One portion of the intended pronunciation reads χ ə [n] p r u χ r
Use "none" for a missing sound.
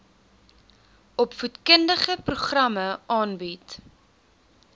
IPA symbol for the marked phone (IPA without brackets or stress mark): none